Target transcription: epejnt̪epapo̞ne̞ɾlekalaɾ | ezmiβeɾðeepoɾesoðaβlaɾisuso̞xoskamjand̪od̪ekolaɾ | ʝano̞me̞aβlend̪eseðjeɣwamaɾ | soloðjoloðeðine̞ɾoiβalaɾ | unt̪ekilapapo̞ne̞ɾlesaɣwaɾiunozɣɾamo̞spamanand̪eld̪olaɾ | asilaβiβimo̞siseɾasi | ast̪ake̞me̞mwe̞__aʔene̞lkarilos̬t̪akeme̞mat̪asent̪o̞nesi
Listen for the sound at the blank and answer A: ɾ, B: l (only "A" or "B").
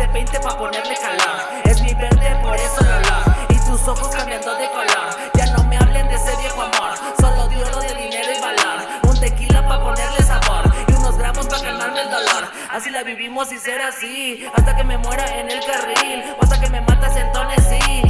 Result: A